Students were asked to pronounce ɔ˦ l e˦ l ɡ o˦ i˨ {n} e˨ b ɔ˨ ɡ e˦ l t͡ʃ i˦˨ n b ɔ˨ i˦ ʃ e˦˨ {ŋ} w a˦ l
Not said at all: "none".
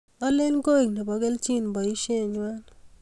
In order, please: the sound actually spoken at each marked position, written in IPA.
n, ɲ

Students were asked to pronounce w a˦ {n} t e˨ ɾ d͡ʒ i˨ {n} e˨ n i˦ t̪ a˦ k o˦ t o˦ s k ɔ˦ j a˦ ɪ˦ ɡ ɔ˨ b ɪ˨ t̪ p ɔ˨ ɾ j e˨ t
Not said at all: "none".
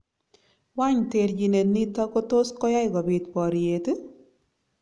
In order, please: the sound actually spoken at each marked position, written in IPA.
ɲ, n

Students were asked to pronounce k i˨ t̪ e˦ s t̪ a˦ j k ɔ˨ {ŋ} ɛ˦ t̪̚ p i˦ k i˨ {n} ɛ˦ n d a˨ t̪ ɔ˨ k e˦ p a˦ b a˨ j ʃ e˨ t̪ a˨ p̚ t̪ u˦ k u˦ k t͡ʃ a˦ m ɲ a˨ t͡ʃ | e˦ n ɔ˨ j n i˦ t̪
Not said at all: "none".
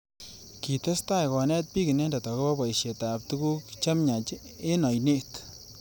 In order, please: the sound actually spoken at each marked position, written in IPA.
n, n

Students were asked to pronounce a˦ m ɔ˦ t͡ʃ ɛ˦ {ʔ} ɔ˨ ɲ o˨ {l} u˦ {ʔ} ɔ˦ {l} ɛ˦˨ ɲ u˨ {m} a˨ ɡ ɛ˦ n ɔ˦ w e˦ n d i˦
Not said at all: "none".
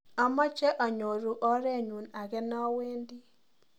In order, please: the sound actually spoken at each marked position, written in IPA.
ʔ, ɾ, ʔ, ɾ, n

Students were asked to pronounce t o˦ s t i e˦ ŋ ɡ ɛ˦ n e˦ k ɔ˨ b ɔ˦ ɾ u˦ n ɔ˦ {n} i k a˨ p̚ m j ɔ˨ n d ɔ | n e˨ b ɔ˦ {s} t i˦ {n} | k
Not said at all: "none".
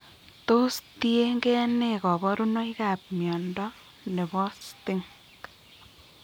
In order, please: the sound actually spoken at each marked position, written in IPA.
none, s, ŋ

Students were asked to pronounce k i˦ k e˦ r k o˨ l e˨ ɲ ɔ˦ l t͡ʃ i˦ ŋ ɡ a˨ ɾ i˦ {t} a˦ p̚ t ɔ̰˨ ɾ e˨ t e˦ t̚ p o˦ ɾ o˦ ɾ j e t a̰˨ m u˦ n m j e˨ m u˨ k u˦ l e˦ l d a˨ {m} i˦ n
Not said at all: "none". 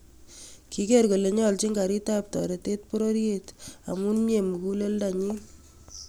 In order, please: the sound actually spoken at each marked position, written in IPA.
t, ɲ

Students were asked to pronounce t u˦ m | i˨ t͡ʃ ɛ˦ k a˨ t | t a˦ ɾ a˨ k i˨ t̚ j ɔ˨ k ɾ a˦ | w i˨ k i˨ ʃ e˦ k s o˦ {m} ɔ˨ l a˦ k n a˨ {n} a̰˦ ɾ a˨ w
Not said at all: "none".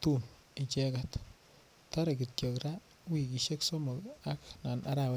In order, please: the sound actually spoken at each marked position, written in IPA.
m, n

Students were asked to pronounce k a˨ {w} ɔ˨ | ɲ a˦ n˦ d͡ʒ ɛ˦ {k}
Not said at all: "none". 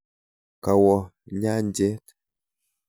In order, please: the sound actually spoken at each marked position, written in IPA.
w, t

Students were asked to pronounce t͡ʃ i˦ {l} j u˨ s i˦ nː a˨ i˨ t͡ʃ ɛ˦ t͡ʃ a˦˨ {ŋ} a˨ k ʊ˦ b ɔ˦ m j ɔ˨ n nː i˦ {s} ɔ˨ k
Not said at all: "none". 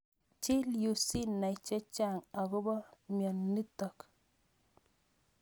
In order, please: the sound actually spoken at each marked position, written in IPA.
l, ŋ, t

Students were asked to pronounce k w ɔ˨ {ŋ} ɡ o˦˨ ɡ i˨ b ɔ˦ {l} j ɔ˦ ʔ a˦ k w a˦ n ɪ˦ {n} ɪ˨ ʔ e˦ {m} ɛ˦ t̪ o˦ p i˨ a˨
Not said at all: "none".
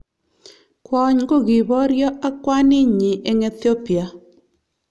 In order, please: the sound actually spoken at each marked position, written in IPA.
ɲ, ɾ, ɲ, ŋ

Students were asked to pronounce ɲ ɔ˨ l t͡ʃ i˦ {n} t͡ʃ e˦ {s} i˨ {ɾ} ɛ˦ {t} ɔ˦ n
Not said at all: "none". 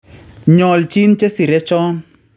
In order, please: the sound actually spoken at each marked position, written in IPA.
n, s, ɾ, t͡ʃ

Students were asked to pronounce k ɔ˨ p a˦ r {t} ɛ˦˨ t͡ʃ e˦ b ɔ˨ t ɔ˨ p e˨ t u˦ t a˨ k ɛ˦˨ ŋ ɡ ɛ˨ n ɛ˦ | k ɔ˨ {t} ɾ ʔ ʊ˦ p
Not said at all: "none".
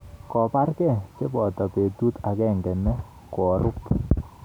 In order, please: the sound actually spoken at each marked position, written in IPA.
k, none

